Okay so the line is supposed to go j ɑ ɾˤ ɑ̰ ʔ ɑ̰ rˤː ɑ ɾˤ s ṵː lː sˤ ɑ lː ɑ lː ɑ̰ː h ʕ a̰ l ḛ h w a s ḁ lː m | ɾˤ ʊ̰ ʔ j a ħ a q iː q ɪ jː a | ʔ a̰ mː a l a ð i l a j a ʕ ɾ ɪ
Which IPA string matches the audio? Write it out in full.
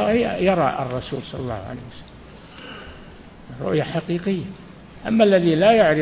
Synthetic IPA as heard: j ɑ ɾˤ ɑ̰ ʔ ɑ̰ rˤː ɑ s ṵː l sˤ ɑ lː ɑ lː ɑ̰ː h ʕ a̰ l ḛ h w a s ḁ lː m | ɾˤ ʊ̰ ʔ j a ħ a q iː q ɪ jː a | ʔ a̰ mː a lː a ð i l a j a ʕ ɾ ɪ